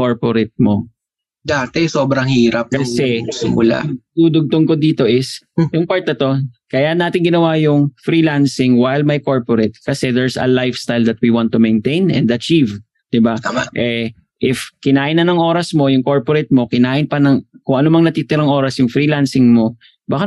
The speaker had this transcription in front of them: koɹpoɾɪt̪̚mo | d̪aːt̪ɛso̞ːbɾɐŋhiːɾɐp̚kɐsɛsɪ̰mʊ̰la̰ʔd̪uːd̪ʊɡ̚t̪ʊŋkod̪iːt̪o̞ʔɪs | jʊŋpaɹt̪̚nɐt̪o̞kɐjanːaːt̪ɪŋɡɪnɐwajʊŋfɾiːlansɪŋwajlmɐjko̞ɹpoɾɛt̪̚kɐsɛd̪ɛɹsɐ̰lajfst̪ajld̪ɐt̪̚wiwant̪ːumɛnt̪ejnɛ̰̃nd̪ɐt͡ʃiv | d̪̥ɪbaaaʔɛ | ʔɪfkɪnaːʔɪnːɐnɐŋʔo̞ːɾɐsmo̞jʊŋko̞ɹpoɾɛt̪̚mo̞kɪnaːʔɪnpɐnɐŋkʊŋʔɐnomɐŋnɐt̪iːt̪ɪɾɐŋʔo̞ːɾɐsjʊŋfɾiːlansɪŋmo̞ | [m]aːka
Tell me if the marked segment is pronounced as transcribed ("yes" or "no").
no